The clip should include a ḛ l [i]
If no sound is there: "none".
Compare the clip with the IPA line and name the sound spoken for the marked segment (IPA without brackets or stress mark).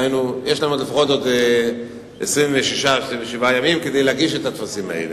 e